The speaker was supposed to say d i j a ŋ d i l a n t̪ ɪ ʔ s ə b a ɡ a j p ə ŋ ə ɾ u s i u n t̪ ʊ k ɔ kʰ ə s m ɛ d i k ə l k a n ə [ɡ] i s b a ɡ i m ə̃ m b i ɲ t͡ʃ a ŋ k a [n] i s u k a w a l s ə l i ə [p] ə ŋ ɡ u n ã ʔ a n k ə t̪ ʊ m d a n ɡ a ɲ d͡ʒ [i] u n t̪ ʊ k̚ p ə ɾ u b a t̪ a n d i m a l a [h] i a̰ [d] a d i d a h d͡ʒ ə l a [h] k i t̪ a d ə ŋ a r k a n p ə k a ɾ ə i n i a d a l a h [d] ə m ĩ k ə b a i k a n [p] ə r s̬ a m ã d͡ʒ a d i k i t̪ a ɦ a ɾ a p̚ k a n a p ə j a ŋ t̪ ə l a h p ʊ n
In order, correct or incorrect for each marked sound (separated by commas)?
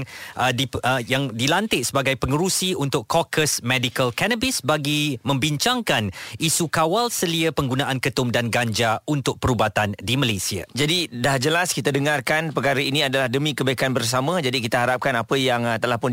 incorrect, correct, correct, incorrect, incorrect, incorrect, incorrect, correct, incorrect